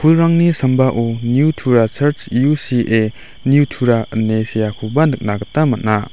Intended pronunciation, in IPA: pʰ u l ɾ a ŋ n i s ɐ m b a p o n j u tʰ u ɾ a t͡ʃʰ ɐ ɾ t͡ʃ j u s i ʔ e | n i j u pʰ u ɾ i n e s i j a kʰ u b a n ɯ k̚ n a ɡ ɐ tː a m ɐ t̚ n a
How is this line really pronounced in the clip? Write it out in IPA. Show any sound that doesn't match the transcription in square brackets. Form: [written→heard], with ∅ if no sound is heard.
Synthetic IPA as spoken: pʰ u l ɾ a ŋ n i s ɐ m b a [p→ʔ] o n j u tʰ u ɾ a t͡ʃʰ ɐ ɾ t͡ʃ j u s i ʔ e | n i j u [pʰ→tʰ] u ɾ [i→a] n e s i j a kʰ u b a n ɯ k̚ n a ɡ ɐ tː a m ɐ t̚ n a